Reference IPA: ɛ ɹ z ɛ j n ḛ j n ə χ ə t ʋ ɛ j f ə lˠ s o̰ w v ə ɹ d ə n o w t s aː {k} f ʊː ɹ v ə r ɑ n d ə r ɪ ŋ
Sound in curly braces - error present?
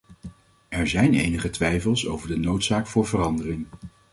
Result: no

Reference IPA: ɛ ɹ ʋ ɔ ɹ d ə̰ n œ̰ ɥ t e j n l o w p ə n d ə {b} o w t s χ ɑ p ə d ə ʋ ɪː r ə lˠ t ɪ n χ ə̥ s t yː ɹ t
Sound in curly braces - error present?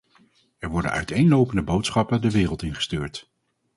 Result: no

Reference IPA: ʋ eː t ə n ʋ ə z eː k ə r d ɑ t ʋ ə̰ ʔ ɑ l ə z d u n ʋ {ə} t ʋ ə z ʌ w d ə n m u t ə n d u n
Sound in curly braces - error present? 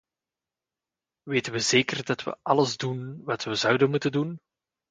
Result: yes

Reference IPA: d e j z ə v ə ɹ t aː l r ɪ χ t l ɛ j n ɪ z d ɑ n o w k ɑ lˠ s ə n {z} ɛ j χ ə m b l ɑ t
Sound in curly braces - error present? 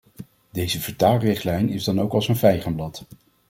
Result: yes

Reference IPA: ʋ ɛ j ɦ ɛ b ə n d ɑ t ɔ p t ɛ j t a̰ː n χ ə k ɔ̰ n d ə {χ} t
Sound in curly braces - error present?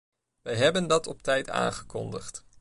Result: no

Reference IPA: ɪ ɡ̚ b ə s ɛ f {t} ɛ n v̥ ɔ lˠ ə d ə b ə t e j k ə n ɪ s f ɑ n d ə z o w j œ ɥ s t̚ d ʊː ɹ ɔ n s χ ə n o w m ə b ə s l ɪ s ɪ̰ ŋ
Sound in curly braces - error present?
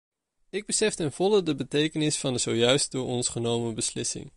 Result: no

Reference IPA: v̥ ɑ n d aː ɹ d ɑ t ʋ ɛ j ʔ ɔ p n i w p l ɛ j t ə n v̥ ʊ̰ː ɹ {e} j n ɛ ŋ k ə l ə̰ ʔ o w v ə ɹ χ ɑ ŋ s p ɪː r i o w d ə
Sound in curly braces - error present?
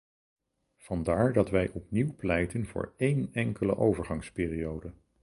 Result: no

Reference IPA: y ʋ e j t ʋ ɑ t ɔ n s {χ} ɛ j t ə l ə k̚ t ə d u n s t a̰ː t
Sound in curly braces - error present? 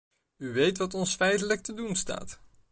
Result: yes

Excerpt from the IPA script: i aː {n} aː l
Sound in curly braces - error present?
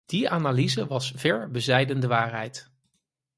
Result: no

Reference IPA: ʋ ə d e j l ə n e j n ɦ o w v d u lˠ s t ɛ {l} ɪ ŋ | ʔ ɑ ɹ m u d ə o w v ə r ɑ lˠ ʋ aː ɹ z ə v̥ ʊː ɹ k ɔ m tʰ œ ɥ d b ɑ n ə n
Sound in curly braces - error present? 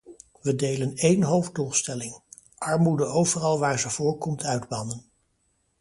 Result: no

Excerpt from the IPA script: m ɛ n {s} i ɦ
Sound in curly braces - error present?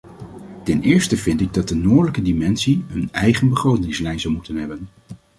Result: no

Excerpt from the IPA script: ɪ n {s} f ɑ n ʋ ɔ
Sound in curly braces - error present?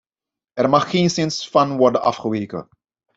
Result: no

